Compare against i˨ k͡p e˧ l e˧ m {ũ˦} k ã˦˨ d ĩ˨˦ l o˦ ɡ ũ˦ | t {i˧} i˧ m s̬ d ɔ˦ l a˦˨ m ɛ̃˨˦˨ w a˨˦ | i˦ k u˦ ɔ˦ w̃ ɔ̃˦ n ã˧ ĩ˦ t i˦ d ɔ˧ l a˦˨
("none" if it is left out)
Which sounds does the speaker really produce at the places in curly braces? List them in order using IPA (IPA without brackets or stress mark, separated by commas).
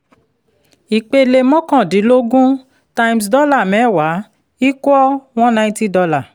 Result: ɔ̃˦, a˧